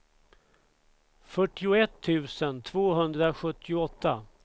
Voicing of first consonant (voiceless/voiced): voiceless